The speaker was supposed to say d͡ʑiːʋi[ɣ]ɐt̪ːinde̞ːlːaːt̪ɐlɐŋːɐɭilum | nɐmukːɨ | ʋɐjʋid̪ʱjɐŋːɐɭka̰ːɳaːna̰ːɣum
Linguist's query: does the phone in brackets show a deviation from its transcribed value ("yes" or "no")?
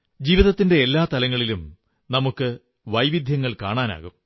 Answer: yes